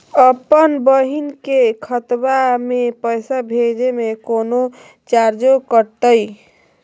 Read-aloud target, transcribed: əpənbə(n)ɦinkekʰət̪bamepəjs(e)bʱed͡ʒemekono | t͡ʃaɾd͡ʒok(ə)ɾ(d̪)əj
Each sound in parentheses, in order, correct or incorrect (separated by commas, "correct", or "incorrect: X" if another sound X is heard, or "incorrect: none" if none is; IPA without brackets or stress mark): incorrect: none, incorrect: a, correct, incorrect: t̪